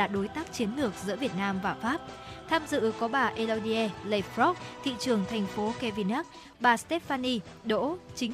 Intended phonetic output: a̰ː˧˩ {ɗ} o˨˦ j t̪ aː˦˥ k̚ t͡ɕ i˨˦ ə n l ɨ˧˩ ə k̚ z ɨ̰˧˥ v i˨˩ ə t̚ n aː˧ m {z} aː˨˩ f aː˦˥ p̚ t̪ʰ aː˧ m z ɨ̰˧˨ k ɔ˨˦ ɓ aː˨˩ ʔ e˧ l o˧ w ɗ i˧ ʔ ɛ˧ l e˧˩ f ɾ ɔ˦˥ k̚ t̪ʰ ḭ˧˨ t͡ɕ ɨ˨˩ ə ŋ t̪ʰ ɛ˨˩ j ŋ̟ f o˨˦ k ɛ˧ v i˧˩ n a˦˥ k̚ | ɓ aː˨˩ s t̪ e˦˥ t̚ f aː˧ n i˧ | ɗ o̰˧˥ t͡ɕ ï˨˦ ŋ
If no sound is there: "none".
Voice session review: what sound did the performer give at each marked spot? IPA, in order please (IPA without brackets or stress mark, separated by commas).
ɗ, v